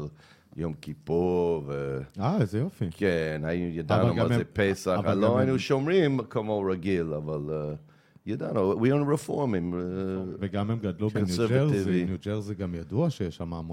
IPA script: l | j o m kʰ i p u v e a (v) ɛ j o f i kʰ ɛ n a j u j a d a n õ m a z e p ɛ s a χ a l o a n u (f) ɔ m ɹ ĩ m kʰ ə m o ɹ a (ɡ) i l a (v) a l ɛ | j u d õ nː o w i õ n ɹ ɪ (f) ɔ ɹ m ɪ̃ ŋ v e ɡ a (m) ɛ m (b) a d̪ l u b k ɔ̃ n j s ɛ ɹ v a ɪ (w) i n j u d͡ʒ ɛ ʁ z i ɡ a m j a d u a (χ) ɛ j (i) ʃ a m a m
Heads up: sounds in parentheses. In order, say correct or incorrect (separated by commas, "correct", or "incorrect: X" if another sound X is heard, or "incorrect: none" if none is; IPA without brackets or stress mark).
incorrect: z, incorrect: ʃ, correct, correct, correct, correct, incorrect: ɡ, incorrect: v, incorrect: ʃ, incorrect: ɛ